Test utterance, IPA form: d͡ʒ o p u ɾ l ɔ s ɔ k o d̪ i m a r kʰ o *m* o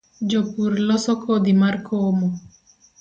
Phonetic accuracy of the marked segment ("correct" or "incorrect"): correct